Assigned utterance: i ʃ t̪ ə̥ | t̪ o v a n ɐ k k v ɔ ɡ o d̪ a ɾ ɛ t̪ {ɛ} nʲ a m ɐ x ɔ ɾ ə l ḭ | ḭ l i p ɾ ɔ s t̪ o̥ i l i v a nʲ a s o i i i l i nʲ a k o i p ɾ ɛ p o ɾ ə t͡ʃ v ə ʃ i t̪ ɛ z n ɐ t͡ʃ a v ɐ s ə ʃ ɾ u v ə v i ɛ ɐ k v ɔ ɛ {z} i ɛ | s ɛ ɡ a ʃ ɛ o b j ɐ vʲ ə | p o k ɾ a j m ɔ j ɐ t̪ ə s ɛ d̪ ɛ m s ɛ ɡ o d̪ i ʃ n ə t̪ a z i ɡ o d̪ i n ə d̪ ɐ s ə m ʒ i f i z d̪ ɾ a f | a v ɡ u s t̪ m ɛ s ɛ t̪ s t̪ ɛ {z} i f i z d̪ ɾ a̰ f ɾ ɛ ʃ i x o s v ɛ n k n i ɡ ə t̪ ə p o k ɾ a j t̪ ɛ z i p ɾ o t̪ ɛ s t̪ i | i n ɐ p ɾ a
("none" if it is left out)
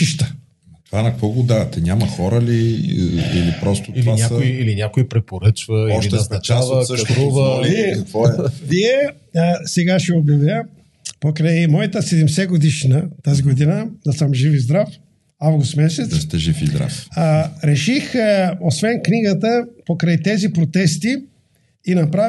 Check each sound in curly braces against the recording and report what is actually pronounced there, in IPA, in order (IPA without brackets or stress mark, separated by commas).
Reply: ɛ, v, ʒ